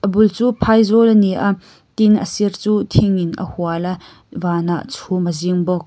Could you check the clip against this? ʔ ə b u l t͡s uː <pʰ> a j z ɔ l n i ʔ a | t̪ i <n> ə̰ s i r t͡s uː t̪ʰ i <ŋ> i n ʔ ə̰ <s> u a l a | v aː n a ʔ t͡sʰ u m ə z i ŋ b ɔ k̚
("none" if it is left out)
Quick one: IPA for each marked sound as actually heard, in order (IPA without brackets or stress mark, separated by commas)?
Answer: pʰ, n, ŋ, h